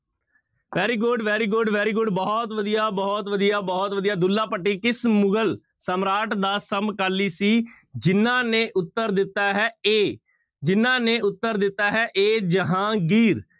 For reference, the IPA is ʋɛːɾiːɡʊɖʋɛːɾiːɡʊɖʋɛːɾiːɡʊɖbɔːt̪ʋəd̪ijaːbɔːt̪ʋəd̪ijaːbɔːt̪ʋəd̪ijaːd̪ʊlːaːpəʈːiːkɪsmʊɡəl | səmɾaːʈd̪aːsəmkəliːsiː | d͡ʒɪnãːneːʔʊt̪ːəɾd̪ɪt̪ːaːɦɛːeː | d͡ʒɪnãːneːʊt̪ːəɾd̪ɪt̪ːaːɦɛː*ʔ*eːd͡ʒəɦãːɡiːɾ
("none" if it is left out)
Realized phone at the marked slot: ʔ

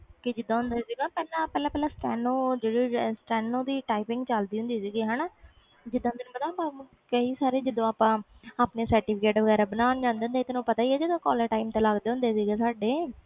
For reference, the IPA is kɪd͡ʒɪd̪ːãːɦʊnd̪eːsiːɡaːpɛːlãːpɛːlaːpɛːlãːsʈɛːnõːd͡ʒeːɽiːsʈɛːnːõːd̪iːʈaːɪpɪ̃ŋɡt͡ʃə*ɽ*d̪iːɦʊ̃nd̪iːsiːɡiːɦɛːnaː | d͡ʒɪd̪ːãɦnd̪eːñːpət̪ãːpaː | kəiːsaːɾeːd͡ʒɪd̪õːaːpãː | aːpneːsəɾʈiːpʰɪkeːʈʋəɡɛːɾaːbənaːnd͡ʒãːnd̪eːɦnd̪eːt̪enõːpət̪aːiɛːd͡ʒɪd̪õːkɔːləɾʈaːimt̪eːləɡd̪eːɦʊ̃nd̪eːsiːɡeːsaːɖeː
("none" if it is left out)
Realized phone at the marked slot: l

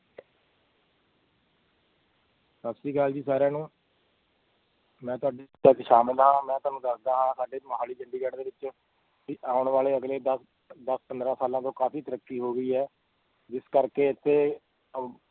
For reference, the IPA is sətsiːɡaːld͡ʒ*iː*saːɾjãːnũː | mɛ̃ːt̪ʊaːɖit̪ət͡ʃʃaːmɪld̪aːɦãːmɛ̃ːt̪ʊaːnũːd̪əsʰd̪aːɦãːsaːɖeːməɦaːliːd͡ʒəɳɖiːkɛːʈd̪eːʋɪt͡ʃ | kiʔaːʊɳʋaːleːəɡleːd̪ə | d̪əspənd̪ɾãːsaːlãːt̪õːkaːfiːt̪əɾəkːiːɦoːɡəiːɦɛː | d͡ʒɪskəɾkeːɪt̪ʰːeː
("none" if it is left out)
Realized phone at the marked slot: iː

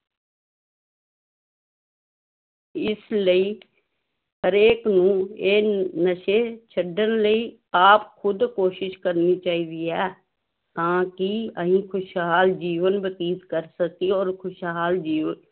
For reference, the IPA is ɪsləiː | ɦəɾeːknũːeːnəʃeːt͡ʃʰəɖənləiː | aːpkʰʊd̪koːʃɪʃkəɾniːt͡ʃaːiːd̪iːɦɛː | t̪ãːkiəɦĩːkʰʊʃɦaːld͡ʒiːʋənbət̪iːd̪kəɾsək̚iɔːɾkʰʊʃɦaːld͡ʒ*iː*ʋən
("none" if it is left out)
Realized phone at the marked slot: iː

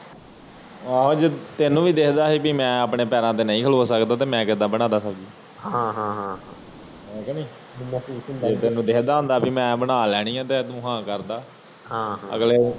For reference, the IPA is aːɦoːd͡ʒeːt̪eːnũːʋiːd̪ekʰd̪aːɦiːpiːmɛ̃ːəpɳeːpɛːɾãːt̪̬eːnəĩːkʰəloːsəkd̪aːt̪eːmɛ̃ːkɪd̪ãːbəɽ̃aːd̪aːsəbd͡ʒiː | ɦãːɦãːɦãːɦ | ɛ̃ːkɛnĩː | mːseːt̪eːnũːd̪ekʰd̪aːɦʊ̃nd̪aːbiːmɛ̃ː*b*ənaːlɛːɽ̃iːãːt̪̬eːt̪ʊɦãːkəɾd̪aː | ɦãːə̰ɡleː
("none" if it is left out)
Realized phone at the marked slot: b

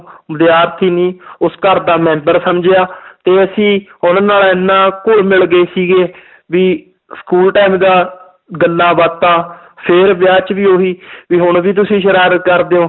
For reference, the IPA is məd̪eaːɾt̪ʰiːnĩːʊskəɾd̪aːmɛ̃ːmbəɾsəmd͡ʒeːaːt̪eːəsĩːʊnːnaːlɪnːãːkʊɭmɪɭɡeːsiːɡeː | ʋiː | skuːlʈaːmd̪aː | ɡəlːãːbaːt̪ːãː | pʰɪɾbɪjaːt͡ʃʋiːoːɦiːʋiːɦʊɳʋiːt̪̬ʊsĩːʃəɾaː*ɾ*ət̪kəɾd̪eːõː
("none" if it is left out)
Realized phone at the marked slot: ɾ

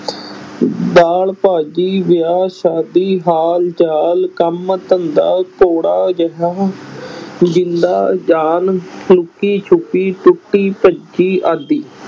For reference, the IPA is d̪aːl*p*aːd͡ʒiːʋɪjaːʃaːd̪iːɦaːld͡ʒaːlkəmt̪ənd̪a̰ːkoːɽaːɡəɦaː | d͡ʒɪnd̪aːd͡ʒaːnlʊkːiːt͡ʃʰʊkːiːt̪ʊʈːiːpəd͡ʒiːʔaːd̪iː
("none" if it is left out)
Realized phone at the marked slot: p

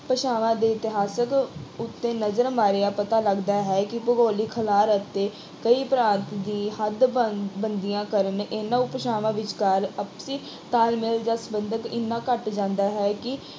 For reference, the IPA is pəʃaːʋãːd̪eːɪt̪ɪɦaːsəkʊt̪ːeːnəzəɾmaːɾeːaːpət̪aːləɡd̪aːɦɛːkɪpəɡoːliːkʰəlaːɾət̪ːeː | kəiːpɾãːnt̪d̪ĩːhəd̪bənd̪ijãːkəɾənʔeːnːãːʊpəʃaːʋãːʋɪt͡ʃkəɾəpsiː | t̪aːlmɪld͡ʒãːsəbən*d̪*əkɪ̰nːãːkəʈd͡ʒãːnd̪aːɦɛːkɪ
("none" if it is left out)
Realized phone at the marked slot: d̪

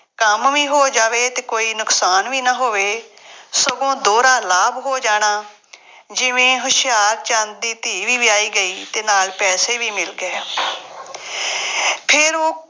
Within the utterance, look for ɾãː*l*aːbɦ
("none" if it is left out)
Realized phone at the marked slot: l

